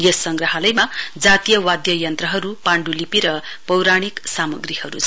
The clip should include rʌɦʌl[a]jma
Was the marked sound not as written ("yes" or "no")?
yes